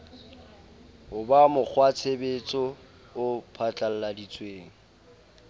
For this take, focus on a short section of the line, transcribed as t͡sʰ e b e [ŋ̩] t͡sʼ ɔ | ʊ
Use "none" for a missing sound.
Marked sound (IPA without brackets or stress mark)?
none